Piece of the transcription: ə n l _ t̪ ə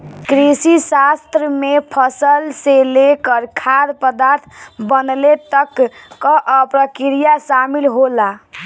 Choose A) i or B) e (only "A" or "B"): B